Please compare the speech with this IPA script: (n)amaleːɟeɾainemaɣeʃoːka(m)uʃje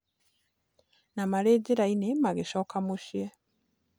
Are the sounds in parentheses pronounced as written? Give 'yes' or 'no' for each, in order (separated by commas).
yes, yes